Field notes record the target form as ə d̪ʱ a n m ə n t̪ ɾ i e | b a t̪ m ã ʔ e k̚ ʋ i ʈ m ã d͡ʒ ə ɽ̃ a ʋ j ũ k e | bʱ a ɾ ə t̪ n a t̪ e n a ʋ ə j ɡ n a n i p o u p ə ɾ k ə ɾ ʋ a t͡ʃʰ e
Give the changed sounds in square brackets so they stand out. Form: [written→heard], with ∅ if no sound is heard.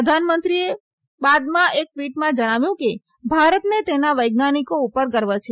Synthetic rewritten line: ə d̪ʱ a n m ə n t̪ ɾ i e | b a [t̪→d̪] m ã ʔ e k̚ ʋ i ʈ m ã d͡ʒ ə ɽ̃ a ʋ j ũ k e | bʱ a ɾ ə t̪ n [a→e] t̪ e n a ʋ ə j ɡ n a n i [p→k] o u p ə ɾ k ə ɾ ʋ a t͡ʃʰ e